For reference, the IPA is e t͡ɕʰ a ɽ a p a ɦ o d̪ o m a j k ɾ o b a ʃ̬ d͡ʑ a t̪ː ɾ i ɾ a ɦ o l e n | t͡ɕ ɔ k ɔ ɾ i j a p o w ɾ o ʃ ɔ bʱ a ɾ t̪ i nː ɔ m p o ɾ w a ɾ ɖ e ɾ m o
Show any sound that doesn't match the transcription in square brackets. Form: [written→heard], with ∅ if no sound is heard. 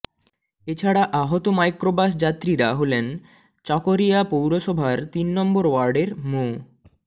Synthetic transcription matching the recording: e t͡ɕʰ a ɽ a [p→ʔ] a ɦ o [d̪→t̪] o m a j k ɾ o b a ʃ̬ d͡ʑ a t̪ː ɾ i ɾ a ɦ o l e n | t͡ɕ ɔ k [ɔ→o] ɾ i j a p o w ɾ o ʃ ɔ bʱ a ɾ t̪ i nː ɔ m [p→b] o ɾ w a ɾ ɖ e ɾ m o